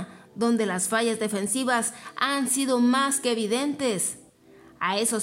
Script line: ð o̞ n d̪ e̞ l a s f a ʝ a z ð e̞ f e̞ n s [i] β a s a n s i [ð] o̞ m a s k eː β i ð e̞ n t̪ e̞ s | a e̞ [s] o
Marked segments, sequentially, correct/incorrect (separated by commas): correct, correct, correct